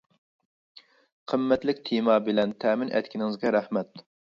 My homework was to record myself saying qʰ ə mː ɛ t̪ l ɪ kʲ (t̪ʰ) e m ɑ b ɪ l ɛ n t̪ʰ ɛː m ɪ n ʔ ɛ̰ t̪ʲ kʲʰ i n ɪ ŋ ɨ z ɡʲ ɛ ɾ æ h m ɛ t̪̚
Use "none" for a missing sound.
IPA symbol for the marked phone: t̪ʰ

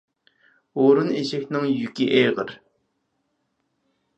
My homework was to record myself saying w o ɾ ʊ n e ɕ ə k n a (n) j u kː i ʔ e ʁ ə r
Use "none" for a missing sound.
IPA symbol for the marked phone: ŋ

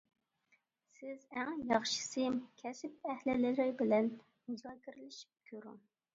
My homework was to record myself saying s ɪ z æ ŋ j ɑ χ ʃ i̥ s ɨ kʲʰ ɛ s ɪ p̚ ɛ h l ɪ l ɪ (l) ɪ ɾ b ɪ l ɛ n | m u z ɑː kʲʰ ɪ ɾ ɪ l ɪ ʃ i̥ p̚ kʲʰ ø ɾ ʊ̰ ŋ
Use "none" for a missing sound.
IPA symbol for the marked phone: l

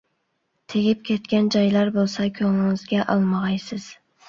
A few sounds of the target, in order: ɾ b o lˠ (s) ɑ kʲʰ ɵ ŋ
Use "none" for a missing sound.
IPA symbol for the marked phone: s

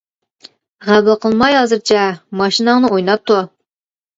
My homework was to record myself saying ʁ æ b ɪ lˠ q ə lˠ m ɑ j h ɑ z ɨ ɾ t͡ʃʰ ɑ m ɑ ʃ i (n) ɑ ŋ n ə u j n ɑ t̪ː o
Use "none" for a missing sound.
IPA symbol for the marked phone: n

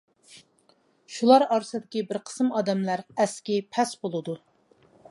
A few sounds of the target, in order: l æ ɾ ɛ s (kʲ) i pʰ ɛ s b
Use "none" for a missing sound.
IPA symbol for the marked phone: kʲ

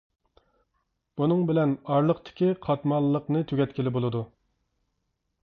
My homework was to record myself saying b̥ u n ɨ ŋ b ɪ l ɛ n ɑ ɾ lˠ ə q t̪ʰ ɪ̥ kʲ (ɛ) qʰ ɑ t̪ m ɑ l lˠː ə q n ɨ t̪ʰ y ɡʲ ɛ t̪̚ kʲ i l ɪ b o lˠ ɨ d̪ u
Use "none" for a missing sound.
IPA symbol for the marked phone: i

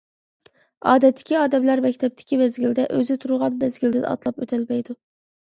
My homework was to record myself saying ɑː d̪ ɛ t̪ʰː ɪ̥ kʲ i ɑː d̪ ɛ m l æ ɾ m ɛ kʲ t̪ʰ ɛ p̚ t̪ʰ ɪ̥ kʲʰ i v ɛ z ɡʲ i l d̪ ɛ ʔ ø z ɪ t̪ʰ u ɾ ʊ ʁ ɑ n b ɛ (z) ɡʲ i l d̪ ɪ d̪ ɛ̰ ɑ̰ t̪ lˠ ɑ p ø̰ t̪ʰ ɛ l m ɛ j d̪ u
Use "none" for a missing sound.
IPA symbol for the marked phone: z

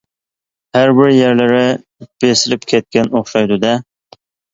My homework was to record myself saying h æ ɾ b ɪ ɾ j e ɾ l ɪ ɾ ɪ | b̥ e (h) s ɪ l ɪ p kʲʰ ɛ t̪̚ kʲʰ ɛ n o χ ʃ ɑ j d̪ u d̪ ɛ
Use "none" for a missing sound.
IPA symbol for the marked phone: none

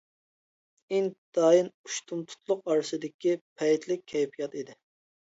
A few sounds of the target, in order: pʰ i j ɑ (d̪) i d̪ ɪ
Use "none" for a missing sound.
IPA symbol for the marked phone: t̪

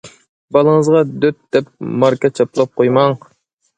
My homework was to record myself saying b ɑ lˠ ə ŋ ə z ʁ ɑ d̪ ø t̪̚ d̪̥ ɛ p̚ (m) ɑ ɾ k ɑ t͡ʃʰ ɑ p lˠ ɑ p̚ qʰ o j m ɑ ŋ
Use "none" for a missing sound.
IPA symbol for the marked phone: m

